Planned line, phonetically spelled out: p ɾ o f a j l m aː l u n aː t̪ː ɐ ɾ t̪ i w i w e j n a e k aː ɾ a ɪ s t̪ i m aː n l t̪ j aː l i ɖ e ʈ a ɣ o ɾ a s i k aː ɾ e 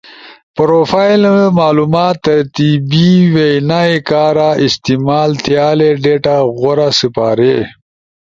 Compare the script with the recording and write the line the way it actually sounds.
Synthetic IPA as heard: p ɾ o f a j l m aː l u m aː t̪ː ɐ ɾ t̪ i b i w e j n a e k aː ɾ a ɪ s t̪ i m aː l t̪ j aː l e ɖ e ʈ a ɣ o ɾ a s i p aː ɾ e